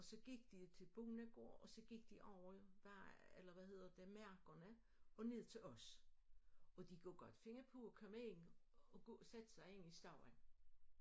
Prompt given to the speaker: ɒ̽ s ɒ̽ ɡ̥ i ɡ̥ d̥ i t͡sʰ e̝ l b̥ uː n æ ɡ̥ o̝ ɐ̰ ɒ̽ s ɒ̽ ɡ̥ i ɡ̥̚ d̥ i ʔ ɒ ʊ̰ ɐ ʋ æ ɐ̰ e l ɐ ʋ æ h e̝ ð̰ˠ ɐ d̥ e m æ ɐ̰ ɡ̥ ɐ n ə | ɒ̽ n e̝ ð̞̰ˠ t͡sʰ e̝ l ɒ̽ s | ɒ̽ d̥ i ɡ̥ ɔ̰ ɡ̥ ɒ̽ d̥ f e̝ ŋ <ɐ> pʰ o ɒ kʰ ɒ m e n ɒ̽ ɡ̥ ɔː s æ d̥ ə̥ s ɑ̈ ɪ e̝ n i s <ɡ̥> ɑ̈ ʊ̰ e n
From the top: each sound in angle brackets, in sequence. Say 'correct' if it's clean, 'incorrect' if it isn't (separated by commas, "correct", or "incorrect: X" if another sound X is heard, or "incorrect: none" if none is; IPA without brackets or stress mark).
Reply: correct, incorrect: d̥